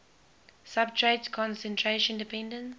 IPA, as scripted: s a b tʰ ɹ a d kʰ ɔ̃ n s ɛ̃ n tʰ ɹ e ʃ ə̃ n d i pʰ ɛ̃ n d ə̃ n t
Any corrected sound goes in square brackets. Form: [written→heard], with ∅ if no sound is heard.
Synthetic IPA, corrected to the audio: s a b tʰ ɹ [a→e] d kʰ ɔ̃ n s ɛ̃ n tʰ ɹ e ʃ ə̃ n d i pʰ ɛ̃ n d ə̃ n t